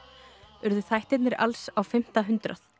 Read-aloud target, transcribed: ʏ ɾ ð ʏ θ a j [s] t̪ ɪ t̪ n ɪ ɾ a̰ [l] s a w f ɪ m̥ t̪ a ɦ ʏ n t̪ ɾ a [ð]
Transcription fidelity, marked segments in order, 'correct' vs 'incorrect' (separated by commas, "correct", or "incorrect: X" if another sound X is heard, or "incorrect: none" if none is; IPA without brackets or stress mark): incorrect: h, correct, incorrect: θ